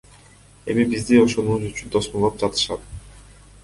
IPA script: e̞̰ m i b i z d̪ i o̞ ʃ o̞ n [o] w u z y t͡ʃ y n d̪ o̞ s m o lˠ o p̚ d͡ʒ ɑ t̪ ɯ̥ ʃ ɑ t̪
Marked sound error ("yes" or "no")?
yes